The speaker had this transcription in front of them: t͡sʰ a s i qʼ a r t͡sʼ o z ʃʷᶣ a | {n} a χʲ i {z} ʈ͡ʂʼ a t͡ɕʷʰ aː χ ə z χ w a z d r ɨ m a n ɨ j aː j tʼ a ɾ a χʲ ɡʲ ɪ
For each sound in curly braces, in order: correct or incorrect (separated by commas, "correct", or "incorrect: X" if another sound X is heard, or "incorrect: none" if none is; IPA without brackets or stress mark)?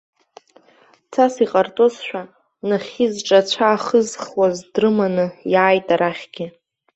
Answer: correct, correct